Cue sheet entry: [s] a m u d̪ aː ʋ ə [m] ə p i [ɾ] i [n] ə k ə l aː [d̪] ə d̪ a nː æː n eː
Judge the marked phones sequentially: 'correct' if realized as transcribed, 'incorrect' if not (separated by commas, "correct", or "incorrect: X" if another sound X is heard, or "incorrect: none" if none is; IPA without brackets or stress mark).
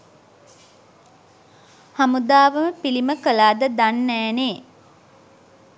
incorrect: h, correct, incorrect: l, incorrect: m, correct